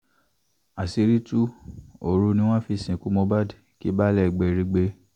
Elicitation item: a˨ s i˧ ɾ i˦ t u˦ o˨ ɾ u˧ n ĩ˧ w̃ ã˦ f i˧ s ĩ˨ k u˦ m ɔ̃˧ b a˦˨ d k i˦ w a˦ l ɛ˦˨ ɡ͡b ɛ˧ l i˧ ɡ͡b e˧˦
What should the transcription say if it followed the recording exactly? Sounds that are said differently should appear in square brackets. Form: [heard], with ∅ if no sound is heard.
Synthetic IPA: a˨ s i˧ ɾ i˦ t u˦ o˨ ɾ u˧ n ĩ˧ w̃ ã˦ f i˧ s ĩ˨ k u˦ m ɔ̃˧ b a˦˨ d k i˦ [b] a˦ l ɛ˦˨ ɡ͡b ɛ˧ [ɾ] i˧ ɡ͡b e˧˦

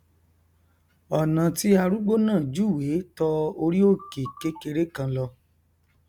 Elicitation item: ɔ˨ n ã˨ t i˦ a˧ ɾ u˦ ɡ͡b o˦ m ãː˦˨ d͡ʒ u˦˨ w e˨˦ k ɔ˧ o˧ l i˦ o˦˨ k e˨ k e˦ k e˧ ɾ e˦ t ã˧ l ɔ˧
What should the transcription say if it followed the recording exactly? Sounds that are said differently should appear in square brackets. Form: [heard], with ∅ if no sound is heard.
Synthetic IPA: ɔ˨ n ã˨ t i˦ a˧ ɾ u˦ ɡ͡b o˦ [n] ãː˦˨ d͡ʒ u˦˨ w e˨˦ [t] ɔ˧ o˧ [ɾ] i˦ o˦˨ k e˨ k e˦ k e˧ ɾ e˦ [k] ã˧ l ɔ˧

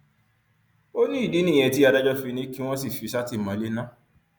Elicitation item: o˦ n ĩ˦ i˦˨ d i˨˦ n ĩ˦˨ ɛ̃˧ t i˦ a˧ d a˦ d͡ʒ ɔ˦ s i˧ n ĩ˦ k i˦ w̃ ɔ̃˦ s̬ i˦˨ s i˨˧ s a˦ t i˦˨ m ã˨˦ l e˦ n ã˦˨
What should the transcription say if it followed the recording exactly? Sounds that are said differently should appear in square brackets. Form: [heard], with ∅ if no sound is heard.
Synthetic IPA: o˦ n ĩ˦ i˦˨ d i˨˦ n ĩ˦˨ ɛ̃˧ t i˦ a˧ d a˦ d͡ʒ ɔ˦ [f] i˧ n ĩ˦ k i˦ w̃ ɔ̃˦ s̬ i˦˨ [f] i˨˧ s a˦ t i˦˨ m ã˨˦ l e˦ n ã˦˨

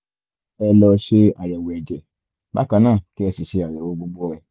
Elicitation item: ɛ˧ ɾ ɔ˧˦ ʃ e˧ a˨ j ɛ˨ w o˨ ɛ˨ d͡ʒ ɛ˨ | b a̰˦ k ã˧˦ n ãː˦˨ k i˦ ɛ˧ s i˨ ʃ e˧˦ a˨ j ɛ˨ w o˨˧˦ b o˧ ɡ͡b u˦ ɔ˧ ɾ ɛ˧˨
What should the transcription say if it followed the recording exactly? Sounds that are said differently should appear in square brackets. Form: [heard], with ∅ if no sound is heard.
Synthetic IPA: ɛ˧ [l] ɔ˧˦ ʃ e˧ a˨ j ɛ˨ w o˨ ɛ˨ d͡ʒ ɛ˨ | b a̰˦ k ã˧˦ n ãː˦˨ k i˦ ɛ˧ s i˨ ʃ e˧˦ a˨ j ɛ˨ w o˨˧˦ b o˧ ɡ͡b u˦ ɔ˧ ɾ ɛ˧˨

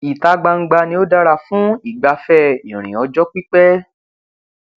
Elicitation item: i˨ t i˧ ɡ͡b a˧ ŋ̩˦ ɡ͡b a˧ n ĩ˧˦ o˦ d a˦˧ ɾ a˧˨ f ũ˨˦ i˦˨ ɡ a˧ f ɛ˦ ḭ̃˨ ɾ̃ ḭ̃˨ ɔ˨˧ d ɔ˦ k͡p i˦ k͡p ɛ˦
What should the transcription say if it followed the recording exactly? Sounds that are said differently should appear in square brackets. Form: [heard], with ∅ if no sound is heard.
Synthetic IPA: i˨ t [a˧] ɡ͡b a˧ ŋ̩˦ ɡ͡b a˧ n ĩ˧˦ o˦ d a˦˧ ɾ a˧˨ f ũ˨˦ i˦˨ [ɡ͡b] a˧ f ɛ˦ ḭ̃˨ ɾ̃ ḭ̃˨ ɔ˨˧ [d͡ʒ] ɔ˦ k͡p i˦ k͡p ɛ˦

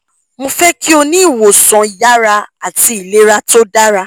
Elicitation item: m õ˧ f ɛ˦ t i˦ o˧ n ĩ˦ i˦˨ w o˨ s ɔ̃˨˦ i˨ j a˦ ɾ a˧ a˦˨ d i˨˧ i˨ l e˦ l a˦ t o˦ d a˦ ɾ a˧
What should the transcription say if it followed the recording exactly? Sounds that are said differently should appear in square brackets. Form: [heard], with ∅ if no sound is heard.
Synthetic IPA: m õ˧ f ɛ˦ [k] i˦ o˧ n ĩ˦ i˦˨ w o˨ s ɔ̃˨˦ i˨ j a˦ ɾ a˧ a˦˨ [t] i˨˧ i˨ l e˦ [ɾ] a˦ t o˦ d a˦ ɾ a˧

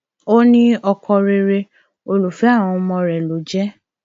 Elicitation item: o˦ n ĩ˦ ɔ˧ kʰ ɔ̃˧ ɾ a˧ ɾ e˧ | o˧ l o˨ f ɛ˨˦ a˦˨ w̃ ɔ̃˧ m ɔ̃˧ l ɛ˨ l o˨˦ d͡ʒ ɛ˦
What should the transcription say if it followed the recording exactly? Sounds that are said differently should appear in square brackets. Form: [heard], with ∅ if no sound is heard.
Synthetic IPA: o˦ n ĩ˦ ɔ˧ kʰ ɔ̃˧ ɾ [e˧] ɾ e˧ | o˧ l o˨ f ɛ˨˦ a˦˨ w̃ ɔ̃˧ m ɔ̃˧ [ɾ] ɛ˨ l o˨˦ d͡ʒ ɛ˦

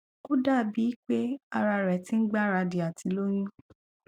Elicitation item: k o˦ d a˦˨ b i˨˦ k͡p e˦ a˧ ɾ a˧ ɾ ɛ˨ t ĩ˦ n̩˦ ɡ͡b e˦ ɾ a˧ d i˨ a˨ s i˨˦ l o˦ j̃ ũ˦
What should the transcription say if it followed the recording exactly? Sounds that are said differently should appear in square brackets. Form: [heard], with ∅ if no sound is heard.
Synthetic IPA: k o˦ d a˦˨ b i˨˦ k͡p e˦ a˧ ɾ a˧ ɾ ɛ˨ t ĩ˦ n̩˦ ɡ͡b [a˦] ɾ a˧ d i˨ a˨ [t] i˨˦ l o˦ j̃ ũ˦

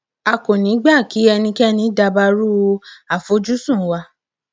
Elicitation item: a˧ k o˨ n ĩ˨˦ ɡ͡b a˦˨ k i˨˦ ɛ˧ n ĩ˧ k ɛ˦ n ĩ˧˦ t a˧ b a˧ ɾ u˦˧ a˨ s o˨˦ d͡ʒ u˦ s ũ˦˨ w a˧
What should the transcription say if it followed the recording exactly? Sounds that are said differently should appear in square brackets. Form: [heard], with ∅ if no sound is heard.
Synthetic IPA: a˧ k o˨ n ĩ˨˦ ɡ͡b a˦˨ k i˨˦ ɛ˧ n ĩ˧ k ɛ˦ n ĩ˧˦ [d] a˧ b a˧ ɾ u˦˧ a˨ [f] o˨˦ d͡ʒ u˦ s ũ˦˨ w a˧

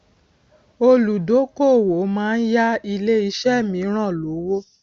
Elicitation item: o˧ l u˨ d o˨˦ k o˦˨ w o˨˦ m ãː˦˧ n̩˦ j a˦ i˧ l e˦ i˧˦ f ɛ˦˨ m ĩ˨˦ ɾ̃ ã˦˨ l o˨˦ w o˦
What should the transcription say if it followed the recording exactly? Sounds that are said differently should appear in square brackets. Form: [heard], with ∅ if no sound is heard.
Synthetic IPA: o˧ l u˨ d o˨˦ k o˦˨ w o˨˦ m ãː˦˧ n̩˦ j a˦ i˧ l e˦ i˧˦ [ʃ] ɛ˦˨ m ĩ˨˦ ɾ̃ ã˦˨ l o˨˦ w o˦

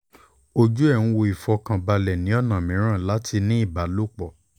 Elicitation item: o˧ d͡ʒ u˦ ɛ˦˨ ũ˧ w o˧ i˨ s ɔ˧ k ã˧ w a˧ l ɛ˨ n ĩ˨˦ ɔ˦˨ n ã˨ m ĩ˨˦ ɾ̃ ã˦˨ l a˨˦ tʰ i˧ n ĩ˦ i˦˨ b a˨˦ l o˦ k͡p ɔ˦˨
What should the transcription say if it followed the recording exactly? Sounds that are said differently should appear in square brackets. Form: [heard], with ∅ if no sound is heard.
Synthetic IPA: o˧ d͡ʒ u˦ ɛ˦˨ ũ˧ w o˧ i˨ [f] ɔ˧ k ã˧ [b] a˧ l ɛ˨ n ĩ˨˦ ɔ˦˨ n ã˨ m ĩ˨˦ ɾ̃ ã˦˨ l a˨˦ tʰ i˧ n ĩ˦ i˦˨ b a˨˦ l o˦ k͡p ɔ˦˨

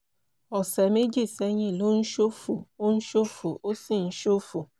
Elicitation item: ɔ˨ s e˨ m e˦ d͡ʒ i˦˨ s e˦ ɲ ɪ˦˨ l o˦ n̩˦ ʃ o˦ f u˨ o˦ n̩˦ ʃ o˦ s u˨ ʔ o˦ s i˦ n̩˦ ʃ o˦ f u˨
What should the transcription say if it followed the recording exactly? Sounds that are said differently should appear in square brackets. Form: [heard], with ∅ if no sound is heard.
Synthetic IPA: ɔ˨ s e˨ m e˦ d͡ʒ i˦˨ s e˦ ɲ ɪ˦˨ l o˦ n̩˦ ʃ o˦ f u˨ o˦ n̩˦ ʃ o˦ [f] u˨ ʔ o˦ s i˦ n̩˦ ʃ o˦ f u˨

